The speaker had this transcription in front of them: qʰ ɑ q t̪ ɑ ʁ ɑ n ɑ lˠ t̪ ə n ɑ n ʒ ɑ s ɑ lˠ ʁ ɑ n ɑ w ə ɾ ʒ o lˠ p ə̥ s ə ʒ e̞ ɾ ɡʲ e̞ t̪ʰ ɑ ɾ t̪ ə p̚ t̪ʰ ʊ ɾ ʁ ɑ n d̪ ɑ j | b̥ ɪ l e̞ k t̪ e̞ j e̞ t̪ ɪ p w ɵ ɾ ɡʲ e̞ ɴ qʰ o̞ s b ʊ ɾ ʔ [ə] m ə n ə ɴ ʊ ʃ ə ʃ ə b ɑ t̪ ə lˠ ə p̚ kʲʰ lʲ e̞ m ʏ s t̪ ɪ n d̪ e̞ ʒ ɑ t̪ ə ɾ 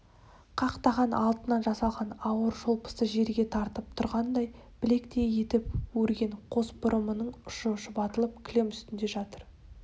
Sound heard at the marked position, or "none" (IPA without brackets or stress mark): ə